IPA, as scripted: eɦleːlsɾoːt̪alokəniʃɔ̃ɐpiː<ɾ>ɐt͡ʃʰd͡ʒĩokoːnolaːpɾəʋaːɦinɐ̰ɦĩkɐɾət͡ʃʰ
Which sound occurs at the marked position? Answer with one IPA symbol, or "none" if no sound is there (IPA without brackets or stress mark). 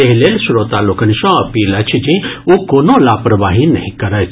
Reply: l